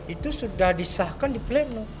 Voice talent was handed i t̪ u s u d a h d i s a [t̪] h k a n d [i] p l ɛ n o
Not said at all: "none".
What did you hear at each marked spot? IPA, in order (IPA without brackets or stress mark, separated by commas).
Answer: none, i